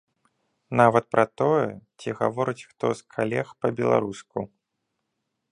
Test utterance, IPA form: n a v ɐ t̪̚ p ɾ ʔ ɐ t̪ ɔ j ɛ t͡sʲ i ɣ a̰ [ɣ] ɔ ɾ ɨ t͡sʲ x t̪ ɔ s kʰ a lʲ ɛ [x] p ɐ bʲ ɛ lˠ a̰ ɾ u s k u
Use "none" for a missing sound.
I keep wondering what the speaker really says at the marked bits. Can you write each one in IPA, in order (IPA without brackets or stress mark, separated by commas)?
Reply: v, x